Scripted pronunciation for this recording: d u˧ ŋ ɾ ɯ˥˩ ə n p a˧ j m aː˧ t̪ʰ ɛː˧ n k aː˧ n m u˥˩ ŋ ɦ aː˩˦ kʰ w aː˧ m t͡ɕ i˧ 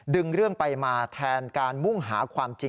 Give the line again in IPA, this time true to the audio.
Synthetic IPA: d ɯ˧ ŋ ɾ ɯ˥˩ ə ŋ p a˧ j m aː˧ t̪ʰ ɛː˧ n k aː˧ n m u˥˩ ŋ ɦ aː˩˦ kʰ w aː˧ m t͡ɕ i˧

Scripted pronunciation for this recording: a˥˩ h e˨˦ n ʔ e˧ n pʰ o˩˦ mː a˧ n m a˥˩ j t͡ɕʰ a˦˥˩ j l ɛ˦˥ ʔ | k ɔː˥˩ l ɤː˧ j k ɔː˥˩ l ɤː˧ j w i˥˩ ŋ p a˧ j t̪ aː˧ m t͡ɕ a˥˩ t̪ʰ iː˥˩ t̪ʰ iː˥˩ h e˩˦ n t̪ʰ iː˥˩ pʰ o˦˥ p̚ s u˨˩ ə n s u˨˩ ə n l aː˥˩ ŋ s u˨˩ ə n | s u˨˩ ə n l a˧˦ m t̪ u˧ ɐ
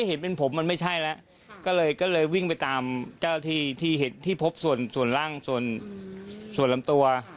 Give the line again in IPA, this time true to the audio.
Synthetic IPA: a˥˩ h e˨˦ n p e˧ n pʰ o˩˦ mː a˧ n m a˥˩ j t͡ɕʰ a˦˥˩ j l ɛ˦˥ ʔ | k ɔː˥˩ l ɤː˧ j k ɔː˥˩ l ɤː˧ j w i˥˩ ŋ p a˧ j t̪ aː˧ m t͡ɕ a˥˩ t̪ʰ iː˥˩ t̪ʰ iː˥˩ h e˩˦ n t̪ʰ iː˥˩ pʰ o˦˥ p̚ s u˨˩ ə n s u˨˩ ə n l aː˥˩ ŋ s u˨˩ ə n | s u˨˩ ə n l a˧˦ m t̪ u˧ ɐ

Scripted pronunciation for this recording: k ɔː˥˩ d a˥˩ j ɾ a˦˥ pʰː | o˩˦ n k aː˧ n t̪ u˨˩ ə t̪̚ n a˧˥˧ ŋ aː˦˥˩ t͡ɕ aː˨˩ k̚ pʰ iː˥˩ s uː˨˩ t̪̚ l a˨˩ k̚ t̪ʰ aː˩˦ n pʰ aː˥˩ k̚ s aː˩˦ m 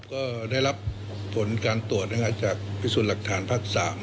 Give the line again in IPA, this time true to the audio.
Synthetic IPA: k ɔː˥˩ d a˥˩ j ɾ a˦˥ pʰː | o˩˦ n k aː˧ n t̪ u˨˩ ə t̪̚ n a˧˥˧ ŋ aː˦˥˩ t͡ɕ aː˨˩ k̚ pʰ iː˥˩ s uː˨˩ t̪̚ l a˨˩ k̚ t̪ʰ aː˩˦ n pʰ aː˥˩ k̚ s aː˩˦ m

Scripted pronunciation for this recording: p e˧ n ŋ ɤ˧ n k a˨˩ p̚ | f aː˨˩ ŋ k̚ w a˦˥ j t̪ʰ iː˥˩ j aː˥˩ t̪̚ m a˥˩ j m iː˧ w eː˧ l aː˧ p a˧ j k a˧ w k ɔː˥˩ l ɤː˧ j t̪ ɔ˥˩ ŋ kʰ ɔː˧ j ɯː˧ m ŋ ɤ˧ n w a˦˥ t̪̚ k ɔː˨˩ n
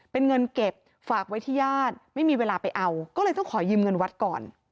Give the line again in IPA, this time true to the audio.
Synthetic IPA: p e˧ n ŋ ɤ˧ n k e˨˩ p̚ | f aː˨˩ k̚ w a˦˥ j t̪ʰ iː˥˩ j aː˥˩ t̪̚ m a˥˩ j m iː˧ w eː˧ l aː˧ p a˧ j ʔ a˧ w k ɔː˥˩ l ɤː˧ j t̪ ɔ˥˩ ŋ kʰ ɔː˩˦ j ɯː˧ m ŋ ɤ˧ n w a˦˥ t̪̚ k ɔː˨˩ n

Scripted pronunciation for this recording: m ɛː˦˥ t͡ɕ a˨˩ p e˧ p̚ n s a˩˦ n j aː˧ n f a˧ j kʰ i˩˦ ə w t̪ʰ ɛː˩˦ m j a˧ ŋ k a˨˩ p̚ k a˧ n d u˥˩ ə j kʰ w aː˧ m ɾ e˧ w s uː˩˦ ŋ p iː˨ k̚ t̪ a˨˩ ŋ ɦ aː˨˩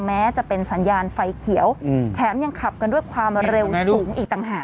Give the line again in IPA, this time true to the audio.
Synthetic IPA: m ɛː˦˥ t͡ɕ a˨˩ p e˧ n s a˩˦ n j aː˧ n f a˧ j kʰ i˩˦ ə w t̪ʰ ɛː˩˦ m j a˧ ŋ kʰ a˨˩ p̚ k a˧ n d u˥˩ ə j kʰ w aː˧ m ɾ e˧ w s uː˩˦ ŋ ʔ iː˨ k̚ t̪ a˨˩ ŋ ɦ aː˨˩

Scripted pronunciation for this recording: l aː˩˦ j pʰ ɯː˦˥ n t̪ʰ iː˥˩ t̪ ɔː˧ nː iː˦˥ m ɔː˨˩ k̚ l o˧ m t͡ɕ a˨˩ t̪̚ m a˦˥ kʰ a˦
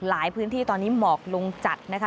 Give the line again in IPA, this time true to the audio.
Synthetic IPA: l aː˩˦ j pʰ ɯː˦˥ n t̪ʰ iː˥˩ t̪ ɔː˧ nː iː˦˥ m ɔː˨˩ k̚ l o˧ ŋ t͡ɕ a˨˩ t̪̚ n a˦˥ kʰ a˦

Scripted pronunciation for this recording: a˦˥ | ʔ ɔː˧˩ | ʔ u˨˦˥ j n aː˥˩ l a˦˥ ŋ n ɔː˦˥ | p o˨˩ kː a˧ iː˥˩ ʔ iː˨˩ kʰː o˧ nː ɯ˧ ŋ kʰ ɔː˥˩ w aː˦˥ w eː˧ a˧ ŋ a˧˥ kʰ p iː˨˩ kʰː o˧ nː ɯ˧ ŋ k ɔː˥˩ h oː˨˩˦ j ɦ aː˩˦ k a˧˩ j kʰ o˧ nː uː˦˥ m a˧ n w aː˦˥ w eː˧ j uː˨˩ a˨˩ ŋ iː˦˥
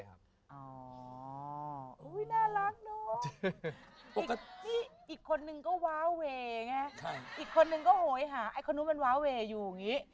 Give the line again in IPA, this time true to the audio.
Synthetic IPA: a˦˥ | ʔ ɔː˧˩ | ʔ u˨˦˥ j n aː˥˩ l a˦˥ ŋ n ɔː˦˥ | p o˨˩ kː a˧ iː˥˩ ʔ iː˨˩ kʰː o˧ nː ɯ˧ ŋ k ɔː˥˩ w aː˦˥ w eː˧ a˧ ŋ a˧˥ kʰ ʔ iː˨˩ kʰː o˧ nː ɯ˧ ŋ k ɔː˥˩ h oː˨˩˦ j ɦ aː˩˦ ʔ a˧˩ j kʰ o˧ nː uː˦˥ m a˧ n w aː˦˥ w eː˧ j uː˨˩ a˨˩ ŋ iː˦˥

